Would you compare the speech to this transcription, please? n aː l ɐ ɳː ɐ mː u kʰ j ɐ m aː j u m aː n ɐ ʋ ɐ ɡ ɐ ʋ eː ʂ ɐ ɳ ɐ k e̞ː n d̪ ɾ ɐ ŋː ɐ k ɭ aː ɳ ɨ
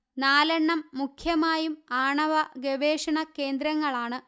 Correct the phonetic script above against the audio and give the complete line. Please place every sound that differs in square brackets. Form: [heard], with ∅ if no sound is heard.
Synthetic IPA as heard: n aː l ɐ ɳː ɐ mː u kʰ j ɐ m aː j u m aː [ɳ] ɐ ʋ ɐ ɡ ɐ ʋ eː ʂ ɐ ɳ ɐ k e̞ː n d̪ ɾ ɐ ŋː ɐ [∅] ɭ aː ɳ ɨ